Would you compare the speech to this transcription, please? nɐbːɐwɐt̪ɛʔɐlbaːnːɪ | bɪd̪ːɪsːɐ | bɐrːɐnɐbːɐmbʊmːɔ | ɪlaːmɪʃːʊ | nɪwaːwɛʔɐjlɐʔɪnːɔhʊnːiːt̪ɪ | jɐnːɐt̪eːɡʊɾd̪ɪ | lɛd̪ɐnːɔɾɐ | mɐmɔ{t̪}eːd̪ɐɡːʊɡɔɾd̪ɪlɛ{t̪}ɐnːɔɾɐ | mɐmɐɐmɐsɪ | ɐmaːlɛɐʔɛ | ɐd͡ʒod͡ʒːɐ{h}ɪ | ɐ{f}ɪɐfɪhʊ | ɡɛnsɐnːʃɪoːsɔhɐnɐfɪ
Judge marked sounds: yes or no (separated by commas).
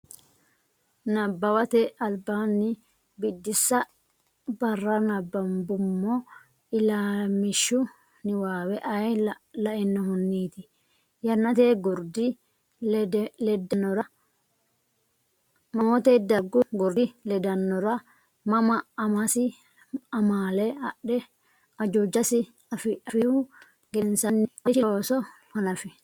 yes, no, no, yes